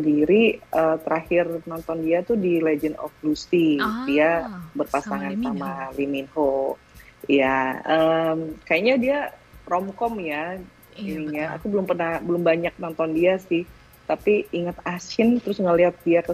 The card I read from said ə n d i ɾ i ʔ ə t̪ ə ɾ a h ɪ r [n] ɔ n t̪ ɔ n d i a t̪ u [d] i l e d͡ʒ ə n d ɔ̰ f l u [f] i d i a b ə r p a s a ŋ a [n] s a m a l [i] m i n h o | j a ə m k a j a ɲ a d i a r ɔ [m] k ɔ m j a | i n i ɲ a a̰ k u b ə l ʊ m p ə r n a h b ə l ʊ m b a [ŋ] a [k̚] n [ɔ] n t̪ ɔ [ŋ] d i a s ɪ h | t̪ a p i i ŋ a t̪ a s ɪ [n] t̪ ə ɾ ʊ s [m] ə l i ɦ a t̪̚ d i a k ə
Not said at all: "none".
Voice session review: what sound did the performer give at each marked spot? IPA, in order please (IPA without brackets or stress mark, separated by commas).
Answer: n, d, s, n, i, m, ɲ, k̚, ɔ, n, n, ŋ